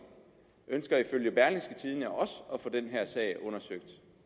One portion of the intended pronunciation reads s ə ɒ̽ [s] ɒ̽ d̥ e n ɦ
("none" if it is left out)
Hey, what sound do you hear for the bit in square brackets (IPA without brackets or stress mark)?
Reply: f